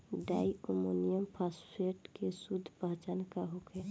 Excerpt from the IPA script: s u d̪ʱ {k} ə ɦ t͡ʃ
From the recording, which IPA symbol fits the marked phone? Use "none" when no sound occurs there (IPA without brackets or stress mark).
p